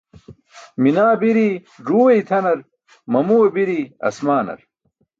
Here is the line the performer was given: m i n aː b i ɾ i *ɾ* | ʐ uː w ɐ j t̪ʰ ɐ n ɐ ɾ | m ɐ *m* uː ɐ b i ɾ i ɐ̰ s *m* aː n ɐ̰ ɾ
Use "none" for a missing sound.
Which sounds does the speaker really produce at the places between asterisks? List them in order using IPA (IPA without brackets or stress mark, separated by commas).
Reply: none, m, m